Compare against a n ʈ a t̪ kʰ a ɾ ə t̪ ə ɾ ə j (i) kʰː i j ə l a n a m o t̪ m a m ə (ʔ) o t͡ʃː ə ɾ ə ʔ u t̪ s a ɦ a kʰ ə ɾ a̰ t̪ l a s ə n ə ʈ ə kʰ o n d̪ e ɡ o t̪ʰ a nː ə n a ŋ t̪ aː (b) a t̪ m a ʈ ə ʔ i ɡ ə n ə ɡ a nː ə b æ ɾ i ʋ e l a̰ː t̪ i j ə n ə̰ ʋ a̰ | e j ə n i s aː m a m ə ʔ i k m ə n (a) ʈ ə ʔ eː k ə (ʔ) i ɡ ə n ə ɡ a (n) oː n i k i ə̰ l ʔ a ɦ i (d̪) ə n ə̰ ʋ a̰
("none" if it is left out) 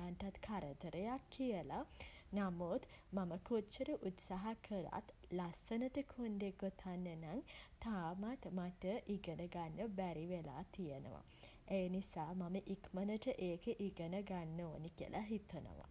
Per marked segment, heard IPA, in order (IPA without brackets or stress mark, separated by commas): a, k, m, ə, ʔ, nː, t̪